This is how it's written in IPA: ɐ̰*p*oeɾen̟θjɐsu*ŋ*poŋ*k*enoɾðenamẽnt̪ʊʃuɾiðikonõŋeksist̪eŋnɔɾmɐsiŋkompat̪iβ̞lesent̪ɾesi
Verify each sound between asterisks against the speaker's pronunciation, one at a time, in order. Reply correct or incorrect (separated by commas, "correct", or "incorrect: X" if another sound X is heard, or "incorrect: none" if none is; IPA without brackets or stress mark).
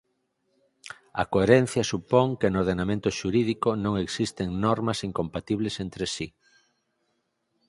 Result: incorrect: k, incorrect: none, correct